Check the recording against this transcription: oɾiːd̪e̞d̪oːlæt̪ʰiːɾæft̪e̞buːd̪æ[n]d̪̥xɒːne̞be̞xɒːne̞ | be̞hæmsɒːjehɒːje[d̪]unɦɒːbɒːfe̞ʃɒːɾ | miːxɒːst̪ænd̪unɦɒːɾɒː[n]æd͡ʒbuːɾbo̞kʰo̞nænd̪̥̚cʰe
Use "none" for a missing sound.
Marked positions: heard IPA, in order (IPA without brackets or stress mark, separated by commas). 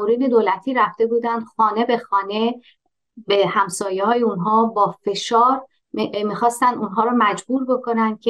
n, none, m